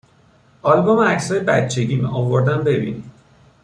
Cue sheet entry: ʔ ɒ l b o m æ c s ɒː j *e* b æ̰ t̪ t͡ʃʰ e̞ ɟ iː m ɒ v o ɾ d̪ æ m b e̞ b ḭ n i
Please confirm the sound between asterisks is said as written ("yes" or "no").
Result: yes